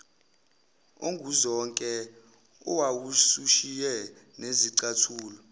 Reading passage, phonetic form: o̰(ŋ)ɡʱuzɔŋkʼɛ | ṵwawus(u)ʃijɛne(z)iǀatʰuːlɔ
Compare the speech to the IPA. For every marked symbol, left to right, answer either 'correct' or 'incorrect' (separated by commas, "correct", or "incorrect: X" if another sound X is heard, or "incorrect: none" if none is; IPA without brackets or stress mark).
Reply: correct, correct, correct